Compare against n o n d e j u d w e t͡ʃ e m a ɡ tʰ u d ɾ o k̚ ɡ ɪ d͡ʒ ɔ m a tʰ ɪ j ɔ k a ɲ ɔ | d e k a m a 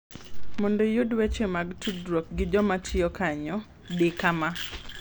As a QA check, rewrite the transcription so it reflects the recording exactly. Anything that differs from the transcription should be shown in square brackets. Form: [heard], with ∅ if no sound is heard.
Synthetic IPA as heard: [m] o n d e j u d w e t͡ʃ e m a ɡ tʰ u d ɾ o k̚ ɡ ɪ d͡ʒ ɔ m a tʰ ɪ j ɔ k a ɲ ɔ | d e k a m a